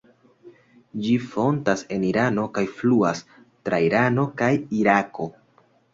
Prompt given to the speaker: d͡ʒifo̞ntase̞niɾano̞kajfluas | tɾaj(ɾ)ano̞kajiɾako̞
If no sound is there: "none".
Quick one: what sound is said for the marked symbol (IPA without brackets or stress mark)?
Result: ɾ